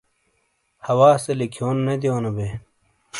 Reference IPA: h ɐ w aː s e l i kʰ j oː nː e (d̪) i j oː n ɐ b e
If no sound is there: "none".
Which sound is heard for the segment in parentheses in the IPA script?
d̪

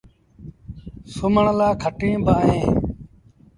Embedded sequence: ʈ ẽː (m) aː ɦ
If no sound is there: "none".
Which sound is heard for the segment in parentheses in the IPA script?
b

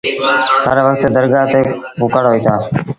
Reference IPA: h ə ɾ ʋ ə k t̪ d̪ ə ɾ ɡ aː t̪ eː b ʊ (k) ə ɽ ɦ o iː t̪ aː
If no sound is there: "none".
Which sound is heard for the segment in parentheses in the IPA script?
k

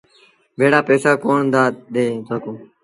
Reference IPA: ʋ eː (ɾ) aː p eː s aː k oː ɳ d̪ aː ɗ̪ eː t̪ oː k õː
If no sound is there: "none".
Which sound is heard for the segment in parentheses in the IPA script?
ɽ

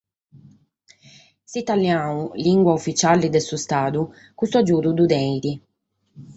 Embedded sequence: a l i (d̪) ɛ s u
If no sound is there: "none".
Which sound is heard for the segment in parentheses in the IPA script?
d̪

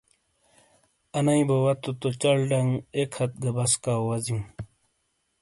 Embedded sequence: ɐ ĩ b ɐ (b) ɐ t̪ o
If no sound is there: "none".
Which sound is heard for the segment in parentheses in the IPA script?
w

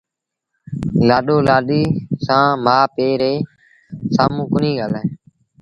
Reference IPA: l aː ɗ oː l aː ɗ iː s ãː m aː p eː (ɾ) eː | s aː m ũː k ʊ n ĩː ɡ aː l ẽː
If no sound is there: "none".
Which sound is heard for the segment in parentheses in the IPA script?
ɾ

